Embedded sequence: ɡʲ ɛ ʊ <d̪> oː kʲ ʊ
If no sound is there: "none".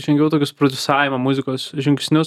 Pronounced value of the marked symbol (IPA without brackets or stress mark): t̪